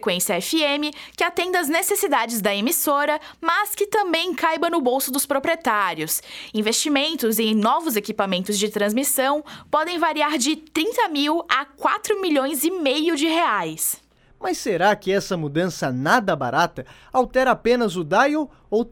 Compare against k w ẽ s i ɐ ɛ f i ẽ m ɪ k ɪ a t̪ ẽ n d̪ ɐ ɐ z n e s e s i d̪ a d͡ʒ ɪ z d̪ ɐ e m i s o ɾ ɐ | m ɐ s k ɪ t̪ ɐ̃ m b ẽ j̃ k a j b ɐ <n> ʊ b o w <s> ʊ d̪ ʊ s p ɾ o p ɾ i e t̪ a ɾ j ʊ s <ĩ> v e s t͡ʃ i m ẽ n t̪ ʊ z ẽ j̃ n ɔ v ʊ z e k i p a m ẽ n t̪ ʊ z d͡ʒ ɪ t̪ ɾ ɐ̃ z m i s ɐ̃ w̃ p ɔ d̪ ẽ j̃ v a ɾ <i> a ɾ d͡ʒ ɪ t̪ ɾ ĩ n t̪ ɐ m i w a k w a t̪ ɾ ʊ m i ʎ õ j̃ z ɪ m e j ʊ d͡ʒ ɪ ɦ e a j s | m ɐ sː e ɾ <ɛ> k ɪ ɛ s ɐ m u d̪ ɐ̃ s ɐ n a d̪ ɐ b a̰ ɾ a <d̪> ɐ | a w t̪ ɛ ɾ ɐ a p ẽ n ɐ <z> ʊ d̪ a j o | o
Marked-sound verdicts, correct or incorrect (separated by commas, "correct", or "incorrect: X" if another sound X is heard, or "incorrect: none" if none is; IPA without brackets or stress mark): correct, correct, correct, correct, incorrect: a, incorrect: t̪, correct